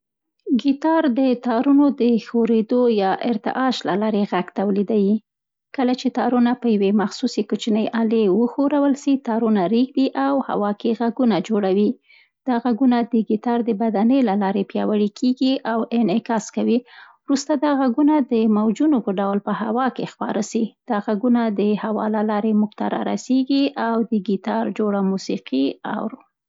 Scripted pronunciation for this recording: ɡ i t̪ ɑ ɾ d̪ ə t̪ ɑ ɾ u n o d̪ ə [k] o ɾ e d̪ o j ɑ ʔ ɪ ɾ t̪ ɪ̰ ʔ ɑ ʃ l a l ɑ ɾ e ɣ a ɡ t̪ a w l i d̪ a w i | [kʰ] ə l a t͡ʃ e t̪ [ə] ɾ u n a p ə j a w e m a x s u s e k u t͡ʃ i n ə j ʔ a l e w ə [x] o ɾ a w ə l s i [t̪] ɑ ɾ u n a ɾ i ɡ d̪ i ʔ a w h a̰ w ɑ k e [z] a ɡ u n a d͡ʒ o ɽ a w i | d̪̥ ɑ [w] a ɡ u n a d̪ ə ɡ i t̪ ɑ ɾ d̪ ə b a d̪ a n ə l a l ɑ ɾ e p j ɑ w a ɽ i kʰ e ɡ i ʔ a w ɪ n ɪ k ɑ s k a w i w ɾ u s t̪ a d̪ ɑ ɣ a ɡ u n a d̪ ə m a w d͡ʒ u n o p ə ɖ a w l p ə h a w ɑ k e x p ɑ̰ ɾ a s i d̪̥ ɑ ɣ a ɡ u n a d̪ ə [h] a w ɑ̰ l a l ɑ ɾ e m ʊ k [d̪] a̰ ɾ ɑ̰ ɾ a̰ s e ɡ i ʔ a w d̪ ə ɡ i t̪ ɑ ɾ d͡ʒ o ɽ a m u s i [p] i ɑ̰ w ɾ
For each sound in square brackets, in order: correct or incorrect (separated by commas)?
incorrect, incorrect, incorrect, correct, correct, incorrect, incorrect, correct, incorrect, incorrect